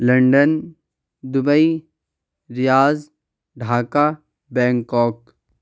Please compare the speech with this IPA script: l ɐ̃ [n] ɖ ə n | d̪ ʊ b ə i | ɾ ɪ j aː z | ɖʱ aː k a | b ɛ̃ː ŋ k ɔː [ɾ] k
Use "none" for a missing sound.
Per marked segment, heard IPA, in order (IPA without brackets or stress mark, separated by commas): ɳ, none